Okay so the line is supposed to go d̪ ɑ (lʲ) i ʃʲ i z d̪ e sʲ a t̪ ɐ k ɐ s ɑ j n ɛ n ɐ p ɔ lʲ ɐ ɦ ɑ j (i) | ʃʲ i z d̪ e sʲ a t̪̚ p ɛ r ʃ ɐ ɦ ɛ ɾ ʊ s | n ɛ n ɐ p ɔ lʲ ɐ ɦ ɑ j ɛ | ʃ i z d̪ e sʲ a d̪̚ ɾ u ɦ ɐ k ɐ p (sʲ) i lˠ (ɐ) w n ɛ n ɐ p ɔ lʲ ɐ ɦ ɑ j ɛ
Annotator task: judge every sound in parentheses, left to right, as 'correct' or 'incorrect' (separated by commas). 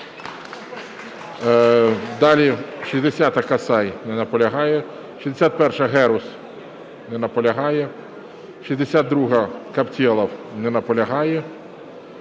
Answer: correct, incorrect, incorrect, correct